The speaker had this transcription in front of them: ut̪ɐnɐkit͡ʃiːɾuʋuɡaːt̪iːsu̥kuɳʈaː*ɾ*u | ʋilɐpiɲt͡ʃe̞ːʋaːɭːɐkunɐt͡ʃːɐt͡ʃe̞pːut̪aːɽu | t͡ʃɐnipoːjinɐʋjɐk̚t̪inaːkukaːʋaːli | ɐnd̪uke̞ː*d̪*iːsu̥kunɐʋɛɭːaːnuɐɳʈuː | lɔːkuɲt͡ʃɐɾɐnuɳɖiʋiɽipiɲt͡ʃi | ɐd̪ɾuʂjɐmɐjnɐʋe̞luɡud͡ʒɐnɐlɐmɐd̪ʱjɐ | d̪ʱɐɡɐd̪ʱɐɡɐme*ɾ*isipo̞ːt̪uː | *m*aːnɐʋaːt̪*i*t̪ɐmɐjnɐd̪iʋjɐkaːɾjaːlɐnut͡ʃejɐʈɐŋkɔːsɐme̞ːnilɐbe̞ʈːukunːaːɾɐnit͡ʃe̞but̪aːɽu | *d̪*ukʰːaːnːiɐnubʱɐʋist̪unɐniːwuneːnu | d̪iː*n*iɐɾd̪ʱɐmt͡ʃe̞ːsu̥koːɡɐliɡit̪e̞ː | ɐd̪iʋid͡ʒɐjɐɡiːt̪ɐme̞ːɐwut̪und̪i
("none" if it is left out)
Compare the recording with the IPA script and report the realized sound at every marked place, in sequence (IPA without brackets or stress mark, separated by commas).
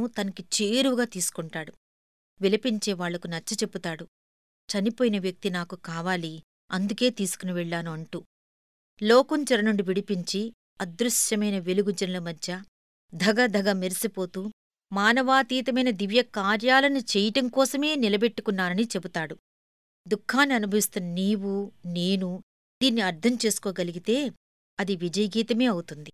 ɽ, t̪, ɾ, m, iː, d̪, nː